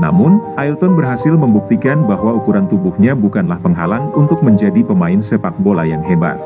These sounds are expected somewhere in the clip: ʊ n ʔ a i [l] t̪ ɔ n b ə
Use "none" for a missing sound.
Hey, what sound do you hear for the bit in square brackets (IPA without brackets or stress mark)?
l